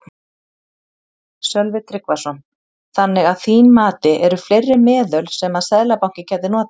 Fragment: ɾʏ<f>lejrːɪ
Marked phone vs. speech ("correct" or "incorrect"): correct